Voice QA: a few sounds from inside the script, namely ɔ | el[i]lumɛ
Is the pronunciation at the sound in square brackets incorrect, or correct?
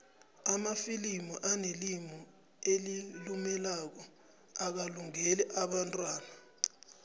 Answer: correct